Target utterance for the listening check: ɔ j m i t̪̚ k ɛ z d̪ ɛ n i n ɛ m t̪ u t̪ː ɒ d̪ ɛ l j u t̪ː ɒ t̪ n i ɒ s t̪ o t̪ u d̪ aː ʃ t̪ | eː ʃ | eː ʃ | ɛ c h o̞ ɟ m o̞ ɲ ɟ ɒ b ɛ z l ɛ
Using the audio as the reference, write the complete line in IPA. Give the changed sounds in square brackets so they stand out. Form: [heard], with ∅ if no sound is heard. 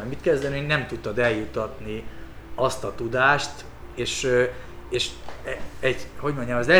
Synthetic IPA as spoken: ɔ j m i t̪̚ k ɛ z d̪ ɛ n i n ɛ m t̪ u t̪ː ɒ d̪ ɛ l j u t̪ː ɒ t̪ n i ɒ s t̪ [ɒ] t̪ u d̪ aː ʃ t̪ | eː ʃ | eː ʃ | ɛ [ɟ] h o̞ ɟ m o̞ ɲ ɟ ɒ [m] ɛ z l ɛ